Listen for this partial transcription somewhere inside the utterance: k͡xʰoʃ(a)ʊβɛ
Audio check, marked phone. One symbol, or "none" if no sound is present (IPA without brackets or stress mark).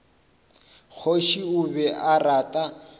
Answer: i